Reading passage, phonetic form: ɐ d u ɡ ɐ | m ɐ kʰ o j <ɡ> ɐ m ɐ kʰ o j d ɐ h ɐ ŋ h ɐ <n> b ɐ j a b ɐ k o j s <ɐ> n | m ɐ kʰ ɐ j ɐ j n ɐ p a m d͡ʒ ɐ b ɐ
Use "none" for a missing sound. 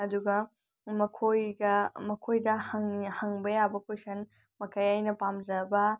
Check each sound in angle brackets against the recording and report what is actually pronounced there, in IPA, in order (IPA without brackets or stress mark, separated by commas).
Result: ɡ, ŋ, ɐ